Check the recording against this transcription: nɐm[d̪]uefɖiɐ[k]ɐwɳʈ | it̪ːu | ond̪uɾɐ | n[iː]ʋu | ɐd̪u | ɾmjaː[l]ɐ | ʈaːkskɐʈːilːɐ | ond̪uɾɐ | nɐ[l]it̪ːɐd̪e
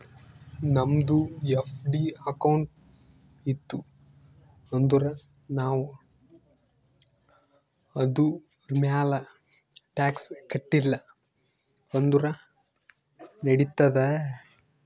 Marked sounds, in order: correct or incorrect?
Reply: correct, correct, incorrect: aː, correct, incorrect: ɽ

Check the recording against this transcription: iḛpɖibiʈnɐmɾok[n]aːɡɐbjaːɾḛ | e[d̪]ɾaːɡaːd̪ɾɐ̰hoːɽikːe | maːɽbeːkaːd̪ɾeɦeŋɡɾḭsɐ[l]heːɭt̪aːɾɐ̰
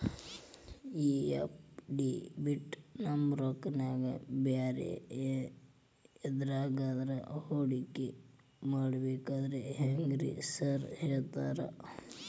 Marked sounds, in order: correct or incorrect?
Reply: correct, correct, incorrect: ɾ

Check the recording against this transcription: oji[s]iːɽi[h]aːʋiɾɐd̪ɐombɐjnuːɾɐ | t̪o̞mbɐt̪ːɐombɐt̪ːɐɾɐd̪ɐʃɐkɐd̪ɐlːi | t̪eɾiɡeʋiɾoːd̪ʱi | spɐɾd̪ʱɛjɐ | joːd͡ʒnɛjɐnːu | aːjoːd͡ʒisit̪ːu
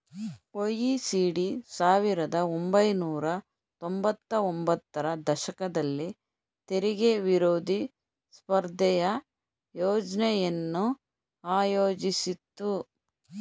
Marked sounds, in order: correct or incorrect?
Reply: correct, incorrect: s

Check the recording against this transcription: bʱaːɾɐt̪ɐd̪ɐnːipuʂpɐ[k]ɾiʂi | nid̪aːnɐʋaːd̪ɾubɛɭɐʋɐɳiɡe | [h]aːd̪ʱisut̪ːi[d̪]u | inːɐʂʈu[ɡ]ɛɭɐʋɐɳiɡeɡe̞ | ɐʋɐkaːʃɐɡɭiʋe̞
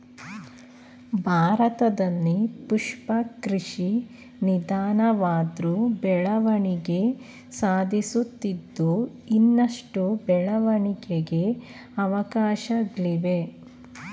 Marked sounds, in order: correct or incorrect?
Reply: correct, incorrect: s, incorrect: d̪ː, incorrect: b

